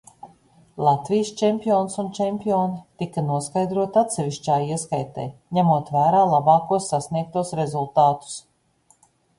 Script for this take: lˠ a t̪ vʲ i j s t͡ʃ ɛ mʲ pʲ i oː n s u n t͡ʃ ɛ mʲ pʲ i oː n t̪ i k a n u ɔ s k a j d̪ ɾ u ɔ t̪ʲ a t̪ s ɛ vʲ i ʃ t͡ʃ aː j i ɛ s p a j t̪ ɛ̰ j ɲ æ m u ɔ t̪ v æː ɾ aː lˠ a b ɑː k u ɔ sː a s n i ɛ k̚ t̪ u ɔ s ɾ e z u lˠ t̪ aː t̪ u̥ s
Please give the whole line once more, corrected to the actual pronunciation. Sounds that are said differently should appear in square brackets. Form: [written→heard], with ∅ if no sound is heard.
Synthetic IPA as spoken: lˠ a t̪ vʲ i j s t͡ʃ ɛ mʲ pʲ i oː n s u n t͡ʃ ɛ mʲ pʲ i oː n t̪ i k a n u ɔ s k a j d̪ ɾ u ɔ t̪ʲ a t̪ s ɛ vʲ i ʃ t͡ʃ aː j i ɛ s [p→k] a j t̪ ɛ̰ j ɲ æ m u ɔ t̪ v æː ɾ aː lˠ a b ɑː k u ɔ sː a s n i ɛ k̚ t̪ u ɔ s ɾ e z u lˠ t̪ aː t̪ u̥ s